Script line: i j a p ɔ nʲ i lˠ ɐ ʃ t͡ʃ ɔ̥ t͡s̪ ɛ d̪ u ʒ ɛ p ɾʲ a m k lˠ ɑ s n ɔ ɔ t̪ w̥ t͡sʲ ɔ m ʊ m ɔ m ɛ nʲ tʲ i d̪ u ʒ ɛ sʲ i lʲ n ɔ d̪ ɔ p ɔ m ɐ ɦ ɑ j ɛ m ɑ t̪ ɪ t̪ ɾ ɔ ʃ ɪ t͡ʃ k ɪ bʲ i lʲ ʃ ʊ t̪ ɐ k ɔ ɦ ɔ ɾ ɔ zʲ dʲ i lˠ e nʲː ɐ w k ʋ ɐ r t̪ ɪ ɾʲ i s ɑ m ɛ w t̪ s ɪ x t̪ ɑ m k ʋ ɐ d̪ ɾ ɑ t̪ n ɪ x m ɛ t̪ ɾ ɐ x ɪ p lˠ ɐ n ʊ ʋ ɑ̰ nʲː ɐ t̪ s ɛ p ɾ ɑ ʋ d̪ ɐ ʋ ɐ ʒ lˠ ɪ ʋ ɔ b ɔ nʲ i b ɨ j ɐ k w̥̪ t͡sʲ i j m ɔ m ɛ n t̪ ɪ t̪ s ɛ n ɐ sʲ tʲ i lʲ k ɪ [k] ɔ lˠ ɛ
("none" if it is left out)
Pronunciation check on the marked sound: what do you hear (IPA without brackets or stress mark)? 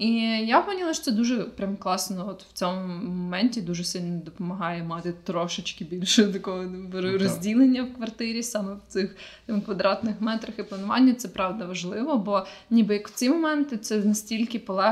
p